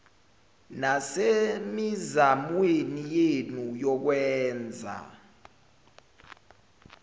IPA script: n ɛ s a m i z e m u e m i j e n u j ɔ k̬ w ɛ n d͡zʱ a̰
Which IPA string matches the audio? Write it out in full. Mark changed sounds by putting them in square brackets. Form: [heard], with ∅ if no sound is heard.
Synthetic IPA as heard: n [a] s [e] m i z [a] m [w] e [n] i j e n u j ɔ k̬ w [ɛː] n d͡zʱ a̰

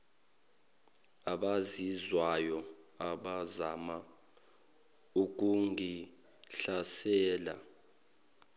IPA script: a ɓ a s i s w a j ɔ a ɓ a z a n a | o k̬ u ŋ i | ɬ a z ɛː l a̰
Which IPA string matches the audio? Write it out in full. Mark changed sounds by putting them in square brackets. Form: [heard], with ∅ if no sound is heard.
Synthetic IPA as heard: a ɓ a [z] i [z] w a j ɔ a ɓ a z a [m] a | [u] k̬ u ŋ i | ɬ a [s] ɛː l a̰

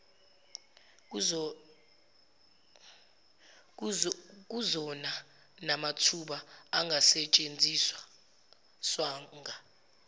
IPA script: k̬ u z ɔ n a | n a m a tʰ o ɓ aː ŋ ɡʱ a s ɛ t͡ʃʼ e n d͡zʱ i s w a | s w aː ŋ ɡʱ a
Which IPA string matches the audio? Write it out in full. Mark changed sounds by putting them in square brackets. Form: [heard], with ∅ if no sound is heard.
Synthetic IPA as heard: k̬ u z ɔ n a | n a m a tʰ [u] ɓ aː ŋ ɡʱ a s ɛ t͡ʃʼ e n d͡zʱ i s w a | s w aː ŋ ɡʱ a

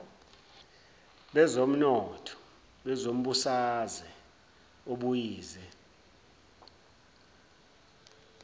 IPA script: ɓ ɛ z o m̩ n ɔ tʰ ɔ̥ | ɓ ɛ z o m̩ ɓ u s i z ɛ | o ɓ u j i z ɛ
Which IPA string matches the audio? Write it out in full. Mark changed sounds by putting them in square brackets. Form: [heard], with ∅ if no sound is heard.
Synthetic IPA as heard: ɓ ɛ z o m̩ n ɔ tʰ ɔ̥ | ɓ ɛ z o m̩ ɓ u s [a] z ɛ | o ɓ u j [iː] z ɛ

